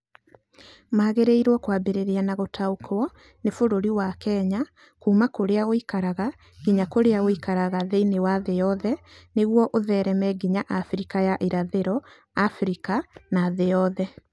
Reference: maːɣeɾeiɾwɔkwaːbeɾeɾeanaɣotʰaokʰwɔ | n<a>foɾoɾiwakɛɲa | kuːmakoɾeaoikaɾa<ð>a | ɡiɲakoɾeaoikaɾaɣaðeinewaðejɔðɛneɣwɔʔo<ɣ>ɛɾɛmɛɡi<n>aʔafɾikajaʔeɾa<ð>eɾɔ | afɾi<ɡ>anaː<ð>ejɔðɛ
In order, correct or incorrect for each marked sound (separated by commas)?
incorrect, incorrect, incorrect, incorrect, correct, incorrect, correct